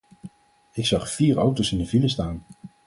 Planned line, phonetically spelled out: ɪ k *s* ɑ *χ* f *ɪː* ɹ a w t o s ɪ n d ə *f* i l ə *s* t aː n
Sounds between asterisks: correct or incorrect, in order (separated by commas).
correct, correct, incorrect, incorrect, correct